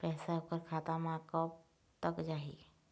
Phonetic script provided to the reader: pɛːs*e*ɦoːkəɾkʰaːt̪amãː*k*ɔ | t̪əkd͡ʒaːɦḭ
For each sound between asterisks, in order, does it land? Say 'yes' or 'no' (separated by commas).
no, yes